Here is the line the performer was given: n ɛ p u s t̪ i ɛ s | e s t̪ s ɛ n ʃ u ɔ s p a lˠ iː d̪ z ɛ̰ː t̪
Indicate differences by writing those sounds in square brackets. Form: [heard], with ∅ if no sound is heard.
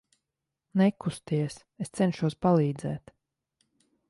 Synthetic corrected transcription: n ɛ [k] u s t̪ i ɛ s | e s t̪ s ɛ n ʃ u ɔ s p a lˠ iː d̪ z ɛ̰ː t̪